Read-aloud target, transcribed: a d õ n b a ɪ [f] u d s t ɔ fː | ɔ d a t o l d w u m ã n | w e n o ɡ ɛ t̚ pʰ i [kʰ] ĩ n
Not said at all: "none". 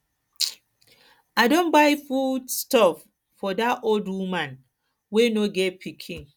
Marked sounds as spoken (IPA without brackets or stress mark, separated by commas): f, kʰ